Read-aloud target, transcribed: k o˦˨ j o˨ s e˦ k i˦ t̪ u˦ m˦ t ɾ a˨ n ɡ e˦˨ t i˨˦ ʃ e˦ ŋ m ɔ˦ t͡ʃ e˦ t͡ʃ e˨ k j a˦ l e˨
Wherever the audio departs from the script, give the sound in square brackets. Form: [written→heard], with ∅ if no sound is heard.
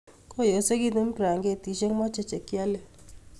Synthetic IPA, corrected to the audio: k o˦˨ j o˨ s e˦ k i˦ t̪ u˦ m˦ [t→p] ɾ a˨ [n→ŋ] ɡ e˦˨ t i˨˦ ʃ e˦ ŋ m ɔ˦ t͡ʃ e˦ t͡ʃ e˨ k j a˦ l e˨